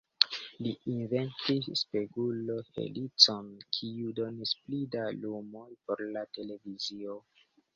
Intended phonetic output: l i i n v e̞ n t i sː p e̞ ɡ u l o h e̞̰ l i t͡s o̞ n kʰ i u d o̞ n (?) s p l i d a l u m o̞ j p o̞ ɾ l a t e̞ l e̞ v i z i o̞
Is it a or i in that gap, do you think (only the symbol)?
i